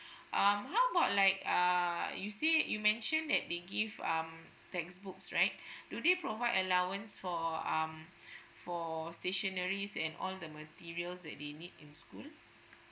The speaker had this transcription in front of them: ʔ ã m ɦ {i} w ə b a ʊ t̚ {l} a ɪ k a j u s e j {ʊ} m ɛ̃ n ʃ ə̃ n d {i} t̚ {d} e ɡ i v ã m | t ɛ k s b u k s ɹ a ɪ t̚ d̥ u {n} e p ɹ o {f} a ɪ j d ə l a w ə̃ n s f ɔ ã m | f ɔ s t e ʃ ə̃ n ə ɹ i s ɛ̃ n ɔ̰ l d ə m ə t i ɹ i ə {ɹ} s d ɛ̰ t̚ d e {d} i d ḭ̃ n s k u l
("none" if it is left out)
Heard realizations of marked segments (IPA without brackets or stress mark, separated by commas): a, l, u, ɛ, d, d, v, l, n